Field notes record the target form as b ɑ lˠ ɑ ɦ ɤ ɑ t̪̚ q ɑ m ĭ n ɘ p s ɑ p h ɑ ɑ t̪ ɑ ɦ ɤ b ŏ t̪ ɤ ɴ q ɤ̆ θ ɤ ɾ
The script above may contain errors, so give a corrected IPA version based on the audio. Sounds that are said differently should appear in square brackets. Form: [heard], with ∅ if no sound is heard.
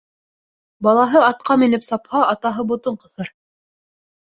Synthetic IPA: b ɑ lˠ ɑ ɦ ɤ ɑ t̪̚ q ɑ m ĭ n ɘ p s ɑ p h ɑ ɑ t̪ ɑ ɦ ɤ b ŏ t̪ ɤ ɴ q ɤ̆ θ ɤ ɾ